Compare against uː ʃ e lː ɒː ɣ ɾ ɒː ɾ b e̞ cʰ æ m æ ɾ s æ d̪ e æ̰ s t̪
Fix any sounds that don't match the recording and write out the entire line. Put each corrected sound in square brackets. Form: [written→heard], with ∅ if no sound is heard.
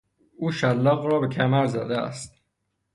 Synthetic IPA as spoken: uː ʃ [e→æ] lː ɒː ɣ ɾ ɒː [ɾ→∅] b e̞ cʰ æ m æ ɾ [s→z] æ d̪ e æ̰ s t̪